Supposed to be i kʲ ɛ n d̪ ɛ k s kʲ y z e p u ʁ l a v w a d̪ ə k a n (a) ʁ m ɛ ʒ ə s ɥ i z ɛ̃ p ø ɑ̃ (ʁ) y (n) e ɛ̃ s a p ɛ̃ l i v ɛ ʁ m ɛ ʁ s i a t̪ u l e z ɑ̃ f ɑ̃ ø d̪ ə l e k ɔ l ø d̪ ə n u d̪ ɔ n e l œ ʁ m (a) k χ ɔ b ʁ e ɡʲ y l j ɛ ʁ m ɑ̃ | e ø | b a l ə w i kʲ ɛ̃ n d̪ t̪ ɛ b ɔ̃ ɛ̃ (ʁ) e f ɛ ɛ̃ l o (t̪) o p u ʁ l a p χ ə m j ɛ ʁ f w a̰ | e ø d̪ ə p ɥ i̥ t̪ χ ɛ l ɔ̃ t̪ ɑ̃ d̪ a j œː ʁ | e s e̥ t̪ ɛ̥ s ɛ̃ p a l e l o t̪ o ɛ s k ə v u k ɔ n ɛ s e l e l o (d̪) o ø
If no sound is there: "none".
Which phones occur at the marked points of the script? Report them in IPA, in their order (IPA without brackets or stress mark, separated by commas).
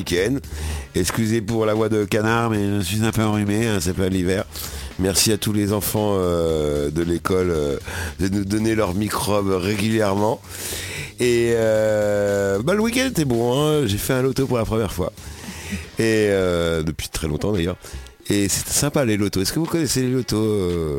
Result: a, ʁ, m, i, ʒ, t̪, t̪